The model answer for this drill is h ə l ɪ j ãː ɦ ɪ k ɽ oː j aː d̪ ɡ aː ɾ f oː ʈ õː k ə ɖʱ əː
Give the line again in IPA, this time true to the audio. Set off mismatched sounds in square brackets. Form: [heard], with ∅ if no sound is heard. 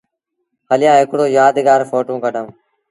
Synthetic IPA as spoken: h ə l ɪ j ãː ɦ ɪ k ɽ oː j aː d̪ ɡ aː ɾ f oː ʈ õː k ə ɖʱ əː